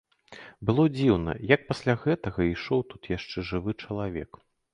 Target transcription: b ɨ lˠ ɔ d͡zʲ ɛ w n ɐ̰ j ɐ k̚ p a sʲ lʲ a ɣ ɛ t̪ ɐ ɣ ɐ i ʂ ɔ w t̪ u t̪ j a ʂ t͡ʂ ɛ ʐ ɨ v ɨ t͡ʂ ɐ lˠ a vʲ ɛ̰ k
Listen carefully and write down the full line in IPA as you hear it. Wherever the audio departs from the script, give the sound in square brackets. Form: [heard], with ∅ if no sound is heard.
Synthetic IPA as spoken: b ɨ lˠ ɔ d͡zʲ [i] w n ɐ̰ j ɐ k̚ p a sʲ lʲ a ɣ ɛ t̪ ɐ ɣ ɐ i ʂ ɔ w t̪ u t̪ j a ʂ t͡ʂ ɛ ʐ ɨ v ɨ t͡ʂ ɐ lˠ a vʲ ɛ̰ k